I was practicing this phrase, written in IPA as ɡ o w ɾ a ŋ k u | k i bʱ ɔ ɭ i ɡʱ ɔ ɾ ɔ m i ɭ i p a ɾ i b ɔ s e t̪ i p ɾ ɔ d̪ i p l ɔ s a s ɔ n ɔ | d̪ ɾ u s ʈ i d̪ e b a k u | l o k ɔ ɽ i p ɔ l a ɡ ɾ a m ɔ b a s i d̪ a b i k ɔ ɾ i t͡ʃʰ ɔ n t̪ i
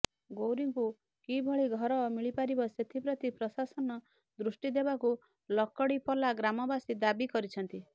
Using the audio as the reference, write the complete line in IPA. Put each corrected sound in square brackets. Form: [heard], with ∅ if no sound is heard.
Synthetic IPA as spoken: ɡ o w ɾ [i] ŋ k u | k i bʱ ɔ ɭ i ɡʱ ɔ ɾ ɔ m i ɭ i p a ɾ i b ɔ s e [t̪ʰ] i p ɾ ɔ [t̪] i p [ɾ] ɔ s a s ɔ n ɔ | d̪ ɾ u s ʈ i d̪ e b a k u | l [ɔ] k ɔ ɽ i p ɔ l a ɡ ɾ a m ɔ b a s i d̪ a b i k ɔ ɾ i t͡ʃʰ ɔ n t̪ i